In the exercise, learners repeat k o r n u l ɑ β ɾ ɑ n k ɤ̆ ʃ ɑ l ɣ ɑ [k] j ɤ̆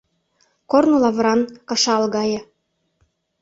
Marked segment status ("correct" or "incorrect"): incorrect